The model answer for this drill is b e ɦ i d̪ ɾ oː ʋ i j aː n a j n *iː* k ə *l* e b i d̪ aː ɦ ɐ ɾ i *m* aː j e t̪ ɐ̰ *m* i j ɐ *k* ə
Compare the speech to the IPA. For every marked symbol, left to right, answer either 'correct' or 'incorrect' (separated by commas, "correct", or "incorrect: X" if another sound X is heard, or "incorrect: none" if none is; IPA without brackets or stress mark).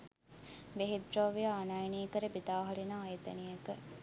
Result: correct, incorrect: ɾ, incorrect: n, incorrect: n, correct